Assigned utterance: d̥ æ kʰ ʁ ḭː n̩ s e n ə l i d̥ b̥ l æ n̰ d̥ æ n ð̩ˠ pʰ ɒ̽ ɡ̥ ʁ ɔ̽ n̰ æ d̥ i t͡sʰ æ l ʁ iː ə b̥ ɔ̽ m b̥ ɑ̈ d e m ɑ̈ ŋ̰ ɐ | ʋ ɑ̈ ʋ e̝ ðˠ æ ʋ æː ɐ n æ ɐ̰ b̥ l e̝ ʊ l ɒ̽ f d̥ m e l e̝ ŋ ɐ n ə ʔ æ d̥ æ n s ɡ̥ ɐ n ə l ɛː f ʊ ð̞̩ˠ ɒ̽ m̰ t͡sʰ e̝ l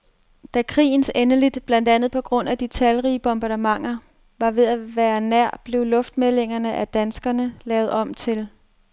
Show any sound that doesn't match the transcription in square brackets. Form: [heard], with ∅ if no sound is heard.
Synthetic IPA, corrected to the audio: d̥ æ kʰ ʁ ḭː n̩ s e n ə l i d̥ b̥ l æ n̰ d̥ æ n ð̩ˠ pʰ ɒ̽ ɡ̥ ʁ ɔ̽ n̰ æ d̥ i t͡sʰ æ l ʁ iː ə b̥ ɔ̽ m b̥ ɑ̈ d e m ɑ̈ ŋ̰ ɐ | ʋ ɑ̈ ʋ e̝ ðˠ æ ʋ æː ɐ n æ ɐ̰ b̥ l e̝ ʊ l [ɔ̽] f d̥ m e l e̝ ŋ ɐ n ə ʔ æ d̥ æ n s ɡ̥ ɐ n ə l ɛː [∅] ʊ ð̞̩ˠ ɒ̽ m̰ t͡sʰ e̝ l